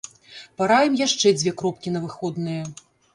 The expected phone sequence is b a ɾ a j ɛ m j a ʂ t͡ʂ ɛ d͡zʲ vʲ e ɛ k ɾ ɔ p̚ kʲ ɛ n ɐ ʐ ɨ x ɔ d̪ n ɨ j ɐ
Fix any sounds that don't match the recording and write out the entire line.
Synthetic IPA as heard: p a ɾ a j ɛ m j a ʂ t͡ʂ ɛ d͡zʲ vʲ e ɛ k ɾ ɔ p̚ kʲ i n ɐ v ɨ x ɔ d̪ n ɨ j ɐ